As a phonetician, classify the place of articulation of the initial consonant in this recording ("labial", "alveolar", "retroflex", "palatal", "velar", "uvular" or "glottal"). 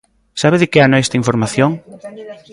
alveolar